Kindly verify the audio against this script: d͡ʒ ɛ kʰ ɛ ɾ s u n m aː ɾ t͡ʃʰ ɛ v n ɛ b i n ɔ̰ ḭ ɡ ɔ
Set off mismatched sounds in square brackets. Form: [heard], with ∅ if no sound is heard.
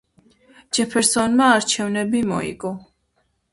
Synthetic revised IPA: d͡ʒ ɛ [pʰ] ɛ ɾ s [ɔ] n m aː ɾ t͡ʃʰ ɛ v n ɛ b i [m] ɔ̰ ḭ ɡ ɔ

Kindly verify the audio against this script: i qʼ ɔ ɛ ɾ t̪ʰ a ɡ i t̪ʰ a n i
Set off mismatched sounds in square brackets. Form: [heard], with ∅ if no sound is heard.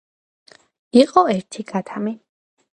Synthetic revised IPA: i qʼ ɔ ɛ ɾ t̪ʰ [i] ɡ [a] t̪ʰ a [m] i

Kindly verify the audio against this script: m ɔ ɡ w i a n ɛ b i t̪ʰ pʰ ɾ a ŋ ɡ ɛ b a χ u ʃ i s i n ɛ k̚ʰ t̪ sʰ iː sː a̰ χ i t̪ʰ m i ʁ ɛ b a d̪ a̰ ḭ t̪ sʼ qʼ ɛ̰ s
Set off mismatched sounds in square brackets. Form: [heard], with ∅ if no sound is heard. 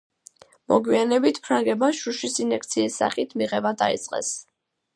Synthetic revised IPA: m ɔ ɡ w i a n ɛ b i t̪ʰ pʰ ɾ a ŋ ɡ ɛ b a [ʃ] u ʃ i s i n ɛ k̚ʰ t̪ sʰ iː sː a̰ χ i t̪ʰ m i ʁ ɛ b a d̪ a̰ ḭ t̪ sʼ qʼ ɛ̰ s

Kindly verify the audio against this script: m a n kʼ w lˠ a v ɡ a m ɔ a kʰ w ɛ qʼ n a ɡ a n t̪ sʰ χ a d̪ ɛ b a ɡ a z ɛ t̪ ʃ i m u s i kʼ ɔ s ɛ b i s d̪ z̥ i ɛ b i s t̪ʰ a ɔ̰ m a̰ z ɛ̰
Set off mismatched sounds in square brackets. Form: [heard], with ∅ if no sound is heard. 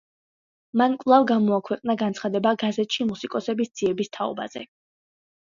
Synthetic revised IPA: m a n kʼ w lˠ a v ɡ a m ɔ a kʰ w ɛ qʼ n a ɡ a n t̪ sʰ χ a d̪ ɛ b a ɡ a z ɛ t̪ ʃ i m u s i kʼ ɔ s ɛ b i s d̪ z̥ i ɛ b i s t̪ʰ a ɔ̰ [b] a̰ z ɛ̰

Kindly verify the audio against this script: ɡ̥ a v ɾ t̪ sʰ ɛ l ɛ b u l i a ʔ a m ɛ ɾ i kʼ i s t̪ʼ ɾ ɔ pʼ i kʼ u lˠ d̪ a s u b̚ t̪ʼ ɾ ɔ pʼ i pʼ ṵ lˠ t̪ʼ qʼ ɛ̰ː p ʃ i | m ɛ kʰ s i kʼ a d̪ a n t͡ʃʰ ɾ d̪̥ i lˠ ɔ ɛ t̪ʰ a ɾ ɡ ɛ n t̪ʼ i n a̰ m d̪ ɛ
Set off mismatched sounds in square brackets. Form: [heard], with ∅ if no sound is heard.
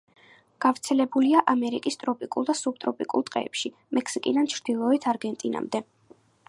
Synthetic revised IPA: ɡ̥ a v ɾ t̪ sʰ ɛ l ɛ b u l i a ʔ a m ɛ ɾ i kʼ i s t̪ʼ ɾ ɔ pʼ i kʼ u lˠ d̪ a s u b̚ t̪ʼ ɾ ɔ pʼ i [kʼ] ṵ lˠ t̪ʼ qʼ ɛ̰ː p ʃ i | m ɛ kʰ s i kʼ [i] d̪ a n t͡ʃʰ ɾ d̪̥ i lˠ ɔ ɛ t̪ʰ a ɾ ɡ ɛ n t̪ʼ i n a̰ m d̪ ɛ

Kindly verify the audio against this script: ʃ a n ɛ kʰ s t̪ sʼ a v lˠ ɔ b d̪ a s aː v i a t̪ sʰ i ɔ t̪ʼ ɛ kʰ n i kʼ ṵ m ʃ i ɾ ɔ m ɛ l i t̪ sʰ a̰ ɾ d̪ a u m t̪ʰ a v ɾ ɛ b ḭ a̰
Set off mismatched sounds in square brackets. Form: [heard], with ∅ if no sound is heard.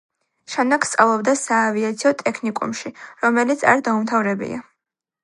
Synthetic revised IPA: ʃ a n [a] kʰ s t̪ sʼ a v lˠ ɔ b d̪ a s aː v i a t̪ sʰ i ɔ t̪ʼ ɛ kʰ n i kʼ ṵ m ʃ i ɾ ɔ m ɛ l i t̪ sʰ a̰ ɾ d̪ a u m t̪ʰ a v ɾ ɛ b ḭ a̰

